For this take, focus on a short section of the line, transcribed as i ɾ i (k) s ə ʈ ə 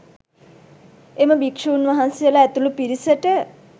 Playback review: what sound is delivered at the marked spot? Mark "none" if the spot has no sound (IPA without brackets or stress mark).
none